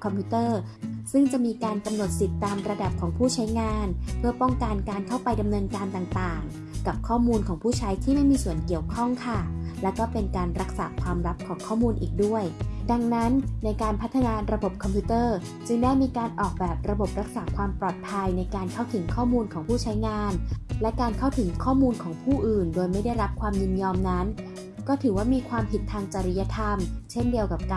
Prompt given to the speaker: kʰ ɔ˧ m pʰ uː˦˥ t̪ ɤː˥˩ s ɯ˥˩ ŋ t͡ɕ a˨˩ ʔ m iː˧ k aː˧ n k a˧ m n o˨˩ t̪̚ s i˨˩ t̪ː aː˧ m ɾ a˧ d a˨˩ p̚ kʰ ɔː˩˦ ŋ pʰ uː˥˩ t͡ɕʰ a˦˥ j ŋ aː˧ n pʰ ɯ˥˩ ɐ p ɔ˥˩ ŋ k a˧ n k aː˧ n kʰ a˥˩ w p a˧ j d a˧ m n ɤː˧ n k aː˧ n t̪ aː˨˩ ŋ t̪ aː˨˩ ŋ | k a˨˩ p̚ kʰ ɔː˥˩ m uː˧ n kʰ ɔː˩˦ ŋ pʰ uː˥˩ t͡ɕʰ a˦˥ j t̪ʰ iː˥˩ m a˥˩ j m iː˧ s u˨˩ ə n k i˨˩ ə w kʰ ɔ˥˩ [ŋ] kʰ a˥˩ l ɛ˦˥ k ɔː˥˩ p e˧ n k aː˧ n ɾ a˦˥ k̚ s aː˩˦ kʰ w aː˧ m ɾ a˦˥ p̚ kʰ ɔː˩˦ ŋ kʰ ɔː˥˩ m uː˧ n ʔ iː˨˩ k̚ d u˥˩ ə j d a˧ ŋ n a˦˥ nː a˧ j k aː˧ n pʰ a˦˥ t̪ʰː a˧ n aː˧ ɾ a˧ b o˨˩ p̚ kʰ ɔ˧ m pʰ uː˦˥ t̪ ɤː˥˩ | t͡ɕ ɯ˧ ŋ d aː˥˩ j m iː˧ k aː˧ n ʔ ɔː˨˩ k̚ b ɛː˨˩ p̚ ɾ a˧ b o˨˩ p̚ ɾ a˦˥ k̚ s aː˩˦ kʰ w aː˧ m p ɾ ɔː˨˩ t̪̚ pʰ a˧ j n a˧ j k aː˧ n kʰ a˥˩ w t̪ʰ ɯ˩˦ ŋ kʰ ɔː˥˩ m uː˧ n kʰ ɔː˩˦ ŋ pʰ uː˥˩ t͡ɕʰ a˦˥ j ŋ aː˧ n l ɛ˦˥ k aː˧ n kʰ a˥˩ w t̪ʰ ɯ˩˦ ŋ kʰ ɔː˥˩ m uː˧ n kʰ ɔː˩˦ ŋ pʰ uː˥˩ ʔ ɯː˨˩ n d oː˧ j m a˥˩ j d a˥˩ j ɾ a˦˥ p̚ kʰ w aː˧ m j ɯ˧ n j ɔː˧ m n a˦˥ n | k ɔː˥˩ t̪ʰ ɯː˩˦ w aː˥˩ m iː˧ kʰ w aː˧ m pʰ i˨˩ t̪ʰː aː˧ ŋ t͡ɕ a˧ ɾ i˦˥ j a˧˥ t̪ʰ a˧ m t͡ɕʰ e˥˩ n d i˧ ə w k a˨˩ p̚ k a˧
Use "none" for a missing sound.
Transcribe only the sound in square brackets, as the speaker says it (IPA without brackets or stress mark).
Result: ŋ